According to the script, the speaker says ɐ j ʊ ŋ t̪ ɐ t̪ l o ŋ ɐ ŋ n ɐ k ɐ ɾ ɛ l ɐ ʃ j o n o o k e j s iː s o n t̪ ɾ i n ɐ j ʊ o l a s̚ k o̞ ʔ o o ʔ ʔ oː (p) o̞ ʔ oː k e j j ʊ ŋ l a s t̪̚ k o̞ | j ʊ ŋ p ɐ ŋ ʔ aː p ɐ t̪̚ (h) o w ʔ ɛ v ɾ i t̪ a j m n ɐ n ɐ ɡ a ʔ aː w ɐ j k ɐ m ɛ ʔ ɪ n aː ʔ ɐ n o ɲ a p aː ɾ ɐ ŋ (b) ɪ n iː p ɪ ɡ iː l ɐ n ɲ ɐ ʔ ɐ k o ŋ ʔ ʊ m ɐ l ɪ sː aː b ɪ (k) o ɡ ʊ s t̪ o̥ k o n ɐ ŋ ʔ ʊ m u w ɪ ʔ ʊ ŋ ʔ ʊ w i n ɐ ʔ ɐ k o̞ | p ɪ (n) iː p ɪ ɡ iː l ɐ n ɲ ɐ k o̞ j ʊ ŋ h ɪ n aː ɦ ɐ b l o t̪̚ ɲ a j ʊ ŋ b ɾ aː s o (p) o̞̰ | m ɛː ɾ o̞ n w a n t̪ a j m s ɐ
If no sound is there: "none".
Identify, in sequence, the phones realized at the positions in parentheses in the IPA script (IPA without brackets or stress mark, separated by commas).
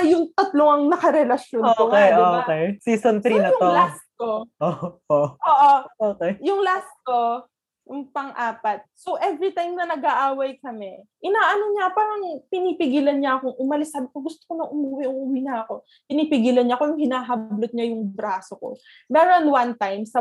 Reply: ʔ, s, p, k, n, k